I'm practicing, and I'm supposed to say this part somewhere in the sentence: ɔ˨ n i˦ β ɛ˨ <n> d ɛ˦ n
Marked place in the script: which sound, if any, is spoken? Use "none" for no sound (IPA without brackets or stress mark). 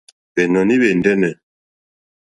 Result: n